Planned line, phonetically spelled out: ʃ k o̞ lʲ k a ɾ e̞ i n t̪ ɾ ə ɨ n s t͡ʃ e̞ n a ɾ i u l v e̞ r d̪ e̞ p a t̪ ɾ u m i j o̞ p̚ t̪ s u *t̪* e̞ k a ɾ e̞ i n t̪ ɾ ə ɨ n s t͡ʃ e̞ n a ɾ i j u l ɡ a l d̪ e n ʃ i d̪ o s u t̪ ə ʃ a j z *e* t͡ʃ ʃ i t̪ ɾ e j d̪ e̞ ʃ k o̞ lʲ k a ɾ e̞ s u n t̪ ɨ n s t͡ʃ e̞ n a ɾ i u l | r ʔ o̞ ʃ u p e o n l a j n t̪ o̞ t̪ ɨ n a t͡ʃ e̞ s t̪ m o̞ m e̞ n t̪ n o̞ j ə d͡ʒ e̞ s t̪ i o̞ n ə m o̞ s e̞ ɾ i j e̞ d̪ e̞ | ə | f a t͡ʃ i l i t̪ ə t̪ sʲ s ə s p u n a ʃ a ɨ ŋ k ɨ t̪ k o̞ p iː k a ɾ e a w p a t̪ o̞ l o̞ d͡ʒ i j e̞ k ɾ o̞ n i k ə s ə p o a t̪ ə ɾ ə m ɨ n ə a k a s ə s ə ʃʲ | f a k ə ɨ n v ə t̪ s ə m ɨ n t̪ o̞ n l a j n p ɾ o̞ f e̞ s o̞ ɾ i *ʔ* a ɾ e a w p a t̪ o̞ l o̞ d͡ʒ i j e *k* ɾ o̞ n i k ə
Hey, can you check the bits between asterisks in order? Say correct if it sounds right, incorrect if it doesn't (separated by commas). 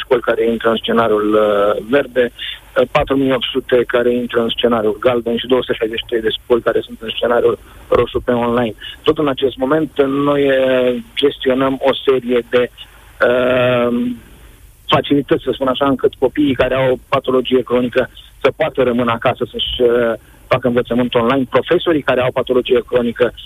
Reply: correct, correct, incorrect, correct